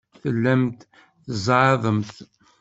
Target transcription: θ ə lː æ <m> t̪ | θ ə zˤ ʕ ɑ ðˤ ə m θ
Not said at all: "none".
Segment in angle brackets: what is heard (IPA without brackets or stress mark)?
m